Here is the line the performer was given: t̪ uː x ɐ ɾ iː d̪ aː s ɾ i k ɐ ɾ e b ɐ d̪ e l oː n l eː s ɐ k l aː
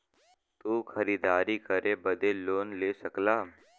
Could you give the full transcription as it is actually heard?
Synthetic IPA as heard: t̪ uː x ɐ ɾ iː d̪ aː ɾ i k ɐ ɾ e b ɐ d̪ e l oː n l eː s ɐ k l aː